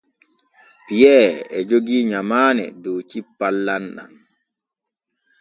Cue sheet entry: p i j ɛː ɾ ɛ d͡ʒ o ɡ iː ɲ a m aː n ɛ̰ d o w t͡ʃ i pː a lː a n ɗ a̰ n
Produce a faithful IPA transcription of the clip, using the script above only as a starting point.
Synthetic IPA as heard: p i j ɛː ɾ ɛ d͡ʒ o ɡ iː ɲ a m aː n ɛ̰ d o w t͡ʃ i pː a lː a n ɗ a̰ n